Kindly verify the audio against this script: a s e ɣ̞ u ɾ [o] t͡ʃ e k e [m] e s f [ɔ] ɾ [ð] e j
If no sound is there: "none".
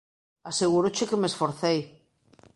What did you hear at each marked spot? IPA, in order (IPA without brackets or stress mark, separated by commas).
o, m, o, θ